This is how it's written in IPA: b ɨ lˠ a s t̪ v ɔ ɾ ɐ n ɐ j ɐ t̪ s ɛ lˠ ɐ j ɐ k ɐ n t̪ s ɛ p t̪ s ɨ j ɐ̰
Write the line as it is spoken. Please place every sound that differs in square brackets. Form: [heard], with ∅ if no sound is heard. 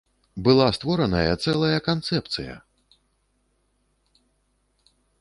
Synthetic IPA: b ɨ lˠ a s t̪ v ɔ ɾ ɐ n ɐ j ɐ t̪ s ɛ lˠ ɐ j ɐ k [a] n t̪ s ɛ p t̪ s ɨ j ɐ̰